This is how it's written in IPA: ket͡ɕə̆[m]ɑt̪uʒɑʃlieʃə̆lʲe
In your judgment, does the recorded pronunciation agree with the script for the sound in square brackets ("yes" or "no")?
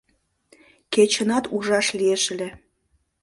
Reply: no